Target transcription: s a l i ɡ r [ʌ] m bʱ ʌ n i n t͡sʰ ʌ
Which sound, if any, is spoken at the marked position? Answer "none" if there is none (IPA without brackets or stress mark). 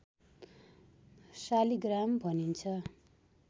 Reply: a